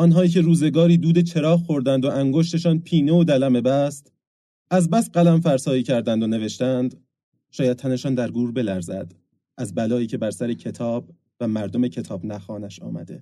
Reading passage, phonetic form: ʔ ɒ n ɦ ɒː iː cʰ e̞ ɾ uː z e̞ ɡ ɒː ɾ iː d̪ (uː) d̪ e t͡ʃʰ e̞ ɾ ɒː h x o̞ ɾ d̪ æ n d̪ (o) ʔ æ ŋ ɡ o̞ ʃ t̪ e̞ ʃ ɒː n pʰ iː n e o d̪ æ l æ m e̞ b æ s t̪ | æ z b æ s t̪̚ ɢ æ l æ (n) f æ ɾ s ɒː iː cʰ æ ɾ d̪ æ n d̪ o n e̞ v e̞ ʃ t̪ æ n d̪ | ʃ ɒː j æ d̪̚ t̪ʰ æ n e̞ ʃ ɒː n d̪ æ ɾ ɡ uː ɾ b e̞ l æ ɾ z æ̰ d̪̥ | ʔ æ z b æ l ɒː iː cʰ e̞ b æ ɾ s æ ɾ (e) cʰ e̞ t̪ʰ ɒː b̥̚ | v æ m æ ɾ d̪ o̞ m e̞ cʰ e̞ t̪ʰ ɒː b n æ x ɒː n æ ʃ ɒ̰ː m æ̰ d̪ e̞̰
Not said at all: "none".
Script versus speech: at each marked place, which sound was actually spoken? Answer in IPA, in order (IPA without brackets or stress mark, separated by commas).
uː, o, m, e